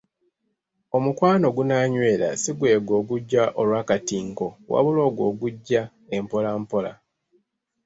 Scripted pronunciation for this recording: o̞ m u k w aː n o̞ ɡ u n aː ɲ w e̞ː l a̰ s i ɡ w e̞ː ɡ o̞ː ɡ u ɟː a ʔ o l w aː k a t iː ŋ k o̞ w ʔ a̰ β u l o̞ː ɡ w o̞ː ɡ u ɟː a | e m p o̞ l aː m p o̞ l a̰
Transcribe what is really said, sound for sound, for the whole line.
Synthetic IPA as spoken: o̞ m u k w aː n o̞ ɡ u n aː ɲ w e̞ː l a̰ s i ɡ w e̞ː ɡ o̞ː ɡ u ɟː a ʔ o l w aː k a t iː ŋ k o̞ w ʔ a̰ β u l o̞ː ɡ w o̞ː ɡ u ɟː a | e m p o̞ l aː m p o̞ l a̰